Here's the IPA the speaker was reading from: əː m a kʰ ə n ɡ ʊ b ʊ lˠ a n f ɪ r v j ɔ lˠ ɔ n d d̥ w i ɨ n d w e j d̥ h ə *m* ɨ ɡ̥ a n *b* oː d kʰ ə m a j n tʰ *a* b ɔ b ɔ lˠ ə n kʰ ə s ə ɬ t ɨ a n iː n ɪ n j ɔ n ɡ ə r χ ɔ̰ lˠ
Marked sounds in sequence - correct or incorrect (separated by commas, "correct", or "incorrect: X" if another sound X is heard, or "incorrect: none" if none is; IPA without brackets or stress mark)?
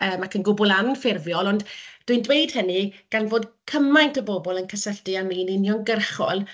incorrect: n, incorrect: v, incorrect: ə